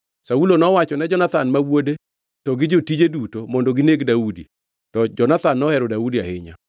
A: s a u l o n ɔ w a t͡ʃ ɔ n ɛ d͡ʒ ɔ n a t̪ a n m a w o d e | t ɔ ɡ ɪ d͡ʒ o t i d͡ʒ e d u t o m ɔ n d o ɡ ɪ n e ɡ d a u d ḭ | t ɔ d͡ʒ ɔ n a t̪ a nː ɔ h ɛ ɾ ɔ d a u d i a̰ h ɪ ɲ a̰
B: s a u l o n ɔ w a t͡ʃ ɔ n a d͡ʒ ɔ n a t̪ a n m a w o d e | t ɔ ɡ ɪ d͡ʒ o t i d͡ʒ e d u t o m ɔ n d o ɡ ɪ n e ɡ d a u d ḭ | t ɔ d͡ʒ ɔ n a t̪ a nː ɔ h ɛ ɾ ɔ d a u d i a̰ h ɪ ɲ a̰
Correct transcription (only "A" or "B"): A